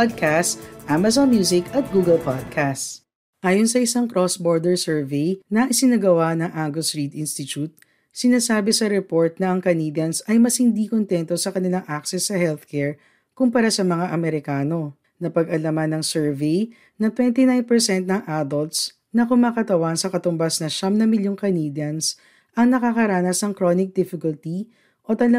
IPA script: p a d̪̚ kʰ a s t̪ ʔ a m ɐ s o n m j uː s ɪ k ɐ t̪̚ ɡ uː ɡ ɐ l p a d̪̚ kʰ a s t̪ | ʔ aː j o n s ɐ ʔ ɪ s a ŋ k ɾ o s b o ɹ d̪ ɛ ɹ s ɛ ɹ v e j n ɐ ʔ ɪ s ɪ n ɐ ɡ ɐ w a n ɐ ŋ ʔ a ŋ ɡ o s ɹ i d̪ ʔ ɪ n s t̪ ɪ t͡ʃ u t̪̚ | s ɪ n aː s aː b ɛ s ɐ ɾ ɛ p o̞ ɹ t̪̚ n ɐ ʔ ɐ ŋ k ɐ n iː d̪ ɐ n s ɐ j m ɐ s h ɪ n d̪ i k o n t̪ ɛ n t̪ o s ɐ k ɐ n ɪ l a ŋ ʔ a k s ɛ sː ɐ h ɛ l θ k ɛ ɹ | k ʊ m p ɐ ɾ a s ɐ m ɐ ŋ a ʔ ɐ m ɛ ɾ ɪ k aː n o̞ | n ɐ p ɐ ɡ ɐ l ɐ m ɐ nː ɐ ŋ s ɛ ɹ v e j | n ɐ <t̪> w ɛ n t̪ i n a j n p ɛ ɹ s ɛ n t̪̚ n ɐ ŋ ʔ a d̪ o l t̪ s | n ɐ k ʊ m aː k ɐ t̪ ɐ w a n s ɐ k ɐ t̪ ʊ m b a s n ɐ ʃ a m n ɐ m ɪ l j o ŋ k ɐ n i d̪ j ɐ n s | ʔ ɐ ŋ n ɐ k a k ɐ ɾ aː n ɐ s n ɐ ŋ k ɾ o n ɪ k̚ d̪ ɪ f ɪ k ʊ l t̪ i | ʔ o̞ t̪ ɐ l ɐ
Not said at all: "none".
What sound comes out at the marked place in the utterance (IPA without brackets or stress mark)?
t̪